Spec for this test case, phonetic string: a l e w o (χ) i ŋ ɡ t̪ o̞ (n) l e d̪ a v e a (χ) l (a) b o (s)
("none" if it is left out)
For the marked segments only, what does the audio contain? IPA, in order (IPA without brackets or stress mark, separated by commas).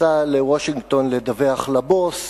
ʃ, n, χ, a, s